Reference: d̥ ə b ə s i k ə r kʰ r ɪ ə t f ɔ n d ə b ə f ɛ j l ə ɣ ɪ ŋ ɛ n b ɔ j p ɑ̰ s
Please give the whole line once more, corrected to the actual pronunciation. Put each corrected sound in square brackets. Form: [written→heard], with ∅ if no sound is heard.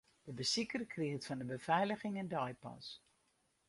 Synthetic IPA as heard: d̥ ə b ə s i k ə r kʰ r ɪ ə t f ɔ n d ə b ə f ɛ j l ə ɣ ɪ ŋ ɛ n [b→d] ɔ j p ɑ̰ s